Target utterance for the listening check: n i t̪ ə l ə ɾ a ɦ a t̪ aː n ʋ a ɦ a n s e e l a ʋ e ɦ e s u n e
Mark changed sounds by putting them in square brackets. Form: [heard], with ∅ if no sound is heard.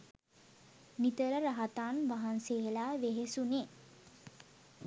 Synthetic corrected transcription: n i t̪ ə [ɾ] ə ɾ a ɦ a t̪ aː n ʋ a ɦ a n s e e l a ʋ e ɦ e s u n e